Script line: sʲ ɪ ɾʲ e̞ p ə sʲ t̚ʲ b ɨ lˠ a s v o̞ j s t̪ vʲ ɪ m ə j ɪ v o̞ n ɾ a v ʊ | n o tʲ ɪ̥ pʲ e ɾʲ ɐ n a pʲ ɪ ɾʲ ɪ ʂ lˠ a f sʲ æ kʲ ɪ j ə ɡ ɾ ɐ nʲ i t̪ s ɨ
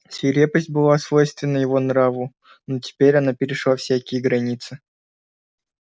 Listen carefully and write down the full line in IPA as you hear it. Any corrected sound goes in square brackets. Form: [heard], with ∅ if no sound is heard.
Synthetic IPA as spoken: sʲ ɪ ɾʲ e̞ p ə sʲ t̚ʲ b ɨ lˠ a s v o̞ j s t̪ vʲ ɪ [n] ə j ɪ v o̞ n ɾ a v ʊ | n o tʲ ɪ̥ pʲ e ɾʲ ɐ n a pʲ ɪ ɾʲ ɪ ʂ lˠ a f sʲ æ kʲ ɪ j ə ɡ ɾ ɐ nʲ i t̪ s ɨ